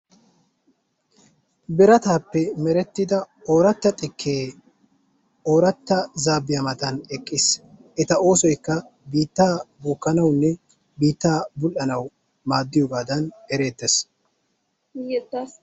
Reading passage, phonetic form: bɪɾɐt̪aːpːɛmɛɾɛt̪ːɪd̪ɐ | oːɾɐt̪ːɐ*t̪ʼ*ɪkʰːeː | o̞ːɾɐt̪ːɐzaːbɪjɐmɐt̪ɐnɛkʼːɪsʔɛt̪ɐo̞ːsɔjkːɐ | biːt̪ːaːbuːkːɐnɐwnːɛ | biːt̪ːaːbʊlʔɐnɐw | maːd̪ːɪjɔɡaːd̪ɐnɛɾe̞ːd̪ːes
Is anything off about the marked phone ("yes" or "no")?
no